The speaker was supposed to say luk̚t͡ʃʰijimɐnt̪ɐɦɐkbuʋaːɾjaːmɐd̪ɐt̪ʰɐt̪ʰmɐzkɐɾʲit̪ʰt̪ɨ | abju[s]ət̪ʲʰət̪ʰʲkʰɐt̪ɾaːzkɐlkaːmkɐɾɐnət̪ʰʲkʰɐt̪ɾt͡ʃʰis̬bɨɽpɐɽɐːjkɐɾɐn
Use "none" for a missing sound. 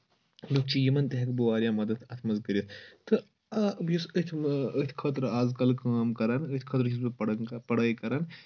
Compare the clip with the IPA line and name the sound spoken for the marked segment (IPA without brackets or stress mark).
s